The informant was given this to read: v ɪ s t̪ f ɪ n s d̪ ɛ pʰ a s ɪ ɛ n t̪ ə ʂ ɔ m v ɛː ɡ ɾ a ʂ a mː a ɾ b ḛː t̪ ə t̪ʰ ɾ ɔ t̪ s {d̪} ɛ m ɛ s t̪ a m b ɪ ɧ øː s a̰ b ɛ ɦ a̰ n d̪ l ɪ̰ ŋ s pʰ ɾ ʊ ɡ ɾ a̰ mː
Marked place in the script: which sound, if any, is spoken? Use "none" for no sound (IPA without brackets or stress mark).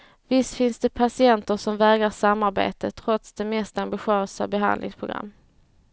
d̪